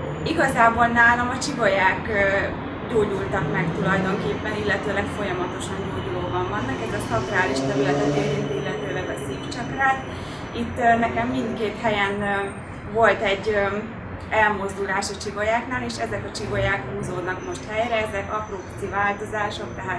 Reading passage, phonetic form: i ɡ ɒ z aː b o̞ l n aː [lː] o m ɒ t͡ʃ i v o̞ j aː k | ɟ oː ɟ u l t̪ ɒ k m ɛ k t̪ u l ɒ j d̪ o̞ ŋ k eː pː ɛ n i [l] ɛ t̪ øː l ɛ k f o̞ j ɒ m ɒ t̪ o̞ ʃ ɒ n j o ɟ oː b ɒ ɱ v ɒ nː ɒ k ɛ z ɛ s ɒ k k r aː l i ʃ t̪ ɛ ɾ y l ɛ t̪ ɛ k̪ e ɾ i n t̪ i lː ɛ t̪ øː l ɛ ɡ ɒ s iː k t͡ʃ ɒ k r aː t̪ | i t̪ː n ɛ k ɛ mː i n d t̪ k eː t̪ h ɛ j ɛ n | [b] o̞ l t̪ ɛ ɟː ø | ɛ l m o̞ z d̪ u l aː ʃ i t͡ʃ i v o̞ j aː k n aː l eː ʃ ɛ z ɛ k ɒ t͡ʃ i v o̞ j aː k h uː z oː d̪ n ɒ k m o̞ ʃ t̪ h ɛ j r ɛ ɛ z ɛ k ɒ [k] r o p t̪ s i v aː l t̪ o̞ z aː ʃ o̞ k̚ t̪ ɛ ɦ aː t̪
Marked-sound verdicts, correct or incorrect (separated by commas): incorrect, incorrect, incorrect, incorrect